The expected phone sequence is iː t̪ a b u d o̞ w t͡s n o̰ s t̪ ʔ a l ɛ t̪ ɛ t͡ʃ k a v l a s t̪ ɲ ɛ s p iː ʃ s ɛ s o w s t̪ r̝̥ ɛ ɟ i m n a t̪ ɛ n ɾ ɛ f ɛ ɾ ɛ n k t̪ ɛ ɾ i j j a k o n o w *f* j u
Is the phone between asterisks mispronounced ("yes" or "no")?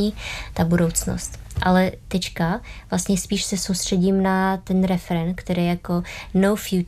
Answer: no